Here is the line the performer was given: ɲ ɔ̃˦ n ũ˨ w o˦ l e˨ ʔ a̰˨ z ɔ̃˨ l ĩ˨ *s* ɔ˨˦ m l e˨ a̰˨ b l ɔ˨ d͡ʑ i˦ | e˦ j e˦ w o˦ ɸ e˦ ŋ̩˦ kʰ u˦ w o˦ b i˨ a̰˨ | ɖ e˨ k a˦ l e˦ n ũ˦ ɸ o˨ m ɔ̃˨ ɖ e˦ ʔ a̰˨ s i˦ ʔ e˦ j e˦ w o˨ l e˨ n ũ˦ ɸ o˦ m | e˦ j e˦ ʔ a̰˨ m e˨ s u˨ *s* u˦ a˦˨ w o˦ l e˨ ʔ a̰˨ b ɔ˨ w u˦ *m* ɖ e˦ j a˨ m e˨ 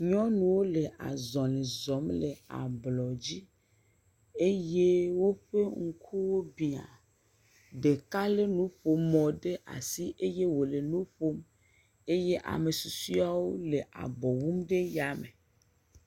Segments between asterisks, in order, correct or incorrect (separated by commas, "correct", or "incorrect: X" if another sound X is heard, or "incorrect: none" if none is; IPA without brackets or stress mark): incorrect: z, correct, correct